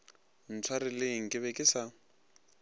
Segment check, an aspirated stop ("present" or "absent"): present